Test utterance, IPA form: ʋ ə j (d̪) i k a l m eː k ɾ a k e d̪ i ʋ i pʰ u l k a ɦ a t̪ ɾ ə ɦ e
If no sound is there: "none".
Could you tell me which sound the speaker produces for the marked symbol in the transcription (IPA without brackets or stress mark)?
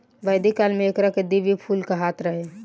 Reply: d̪